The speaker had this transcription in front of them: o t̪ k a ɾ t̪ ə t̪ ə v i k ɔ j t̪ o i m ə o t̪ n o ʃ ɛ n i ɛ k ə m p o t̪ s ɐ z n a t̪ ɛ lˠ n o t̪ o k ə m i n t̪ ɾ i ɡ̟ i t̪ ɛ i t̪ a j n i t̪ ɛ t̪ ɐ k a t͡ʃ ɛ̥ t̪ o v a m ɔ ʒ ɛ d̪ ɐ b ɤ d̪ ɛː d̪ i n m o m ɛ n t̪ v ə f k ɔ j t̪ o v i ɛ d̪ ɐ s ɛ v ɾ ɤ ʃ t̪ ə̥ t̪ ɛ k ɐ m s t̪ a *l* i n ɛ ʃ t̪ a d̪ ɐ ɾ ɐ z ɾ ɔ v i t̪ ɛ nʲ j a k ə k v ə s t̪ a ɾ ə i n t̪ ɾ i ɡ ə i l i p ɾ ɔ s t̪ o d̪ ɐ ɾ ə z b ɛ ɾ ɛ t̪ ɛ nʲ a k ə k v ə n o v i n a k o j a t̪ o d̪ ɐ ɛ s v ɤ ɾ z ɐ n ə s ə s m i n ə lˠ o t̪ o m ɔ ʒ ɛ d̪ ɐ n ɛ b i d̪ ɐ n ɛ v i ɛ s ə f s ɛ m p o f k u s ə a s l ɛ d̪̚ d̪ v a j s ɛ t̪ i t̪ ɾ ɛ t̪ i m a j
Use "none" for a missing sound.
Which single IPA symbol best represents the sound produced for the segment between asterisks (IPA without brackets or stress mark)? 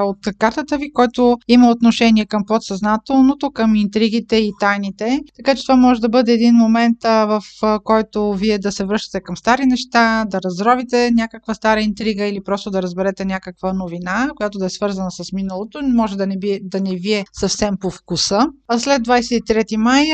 ɾ